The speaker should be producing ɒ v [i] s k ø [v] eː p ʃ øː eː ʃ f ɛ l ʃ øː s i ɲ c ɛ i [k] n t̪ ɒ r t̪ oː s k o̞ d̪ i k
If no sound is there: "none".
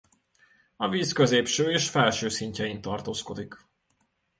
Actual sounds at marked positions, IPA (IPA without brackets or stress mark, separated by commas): iː, z, none